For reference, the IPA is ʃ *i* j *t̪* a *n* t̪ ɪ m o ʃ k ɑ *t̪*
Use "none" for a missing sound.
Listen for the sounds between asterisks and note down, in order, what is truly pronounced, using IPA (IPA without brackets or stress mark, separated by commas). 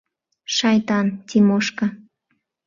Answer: a, t̪, n, none